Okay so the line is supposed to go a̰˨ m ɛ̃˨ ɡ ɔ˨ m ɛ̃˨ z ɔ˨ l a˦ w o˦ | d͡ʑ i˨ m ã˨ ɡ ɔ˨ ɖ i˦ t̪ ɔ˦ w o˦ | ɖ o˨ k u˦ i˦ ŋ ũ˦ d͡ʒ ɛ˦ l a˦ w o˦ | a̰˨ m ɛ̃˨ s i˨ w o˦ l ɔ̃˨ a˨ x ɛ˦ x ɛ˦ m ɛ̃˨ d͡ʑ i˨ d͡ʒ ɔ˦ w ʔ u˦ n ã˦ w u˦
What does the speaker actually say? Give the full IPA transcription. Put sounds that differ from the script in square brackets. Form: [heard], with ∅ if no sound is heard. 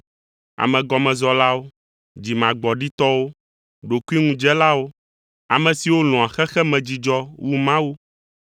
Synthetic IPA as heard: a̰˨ m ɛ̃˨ ɡ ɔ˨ m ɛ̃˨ z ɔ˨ l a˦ w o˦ | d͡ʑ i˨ m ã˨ [ɡ͡b] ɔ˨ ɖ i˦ t̪ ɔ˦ w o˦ | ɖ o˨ k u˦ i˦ ŋ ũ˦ d͡ʒ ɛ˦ l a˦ w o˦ | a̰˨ m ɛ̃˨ s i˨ w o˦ l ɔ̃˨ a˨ x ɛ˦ x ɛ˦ m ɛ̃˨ d͡ʑ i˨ d͡ʒ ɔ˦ w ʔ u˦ [m] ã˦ w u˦